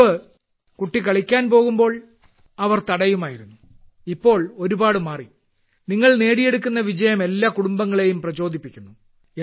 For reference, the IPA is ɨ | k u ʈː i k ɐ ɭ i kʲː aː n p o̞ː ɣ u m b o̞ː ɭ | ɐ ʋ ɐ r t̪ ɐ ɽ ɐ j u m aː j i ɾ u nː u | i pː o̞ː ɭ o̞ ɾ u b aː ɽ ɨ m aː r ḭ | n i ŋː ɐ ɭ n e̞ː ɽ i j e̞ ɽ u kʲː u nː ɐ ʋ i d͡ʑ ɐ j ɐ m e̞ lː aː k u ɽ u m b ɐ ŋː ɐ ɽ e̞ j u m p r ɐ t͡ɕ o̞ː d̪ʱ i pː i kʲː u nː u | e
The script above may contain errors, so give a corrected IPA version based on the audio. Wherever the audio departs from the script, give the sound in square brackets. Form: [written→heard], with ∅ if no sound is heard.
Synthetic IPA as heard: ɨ | k u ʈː i k ɐ ɭ i kʲː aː n p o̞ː ɣ u m b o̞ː ɭ | ɐ ʋ ɐ r t̪ ɐ ɽ ɐ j u m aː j i ɾ u nː u | i pː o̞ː ɭ o̞ ɾ u b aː ɽ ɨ m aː r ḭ | n i ŋː ɐ ɭ n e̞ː ɽ i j e̞ ɽ u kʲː u nː ɐ ʋ i d͡ʑ ɐ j ɐ m e̞ lː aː k u ɽ u m b ɐ ŋː ɐ [ɽ→ɭ] e̞ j u m p r ɐ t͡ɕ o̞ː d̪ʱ i pː i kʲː u nː u | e